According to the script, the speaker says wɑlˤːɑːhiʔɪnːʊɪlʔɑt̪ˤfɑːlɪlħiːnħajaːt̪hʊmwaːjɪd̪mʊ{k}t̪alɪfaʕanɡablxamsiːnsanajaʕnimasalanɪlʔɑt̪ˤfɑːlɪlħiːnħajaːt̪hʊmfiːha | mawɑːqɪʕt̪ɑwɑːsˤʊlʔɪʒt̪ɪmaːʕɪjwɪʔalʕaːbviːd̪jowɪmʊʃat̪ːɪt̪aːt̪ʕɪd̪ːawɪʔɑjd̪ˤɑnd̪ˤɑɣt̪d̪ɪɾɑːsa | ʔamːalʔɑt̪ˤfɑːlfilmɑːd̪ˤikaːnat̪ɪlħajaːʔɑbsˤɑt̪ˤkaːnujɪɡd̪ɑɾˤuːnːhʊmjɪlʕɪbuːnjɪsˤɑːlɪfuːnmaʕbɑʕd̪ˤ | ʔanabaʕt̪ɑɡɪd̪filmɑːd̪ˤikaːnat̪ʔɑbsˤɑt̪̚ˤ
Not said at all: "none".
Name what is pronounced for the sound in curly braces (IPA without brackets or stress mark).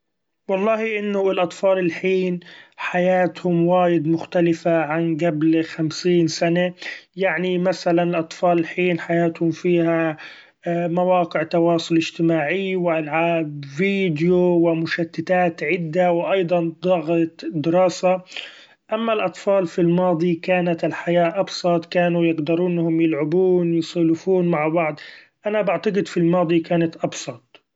x